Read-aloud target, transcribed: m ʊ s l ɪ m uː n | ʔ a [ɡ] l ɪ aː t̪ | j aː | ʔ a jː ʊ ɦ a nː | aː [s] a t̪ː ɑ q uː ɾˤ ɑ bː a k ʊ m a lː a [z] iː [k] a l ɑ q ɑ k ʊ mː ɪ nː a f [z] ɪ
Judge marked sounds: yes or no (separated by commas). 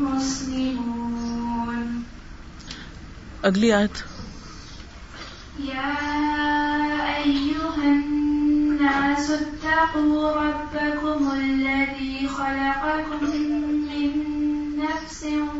yes, yes, no, no, no